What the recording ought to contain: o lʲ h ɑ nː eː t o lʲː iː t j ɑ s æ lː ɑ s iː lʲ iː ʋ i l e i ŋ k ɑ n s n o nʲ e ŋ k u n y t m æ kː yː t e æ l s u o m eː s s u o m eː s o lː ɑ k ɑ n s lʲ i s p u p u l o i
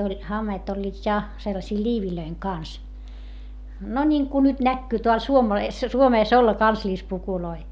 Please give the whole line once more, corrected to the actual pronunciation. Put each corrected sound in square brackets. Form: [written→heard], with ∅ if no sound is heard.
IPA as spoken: o lʲ h ɑ [nː→mː] eː t o lʲː iː t j ɑ s [æ→e] lː ɑ s iː lʲ iː ʋ i l [e→ø] i ŋ k ɑ n s n o nʲ [e→i] ŋ k u n y t [m→n] æ kː yː t e æ l s u o m eː s s u o m eː s o lː ɑ k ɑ n s lʲ i s p u [p→k] u l o i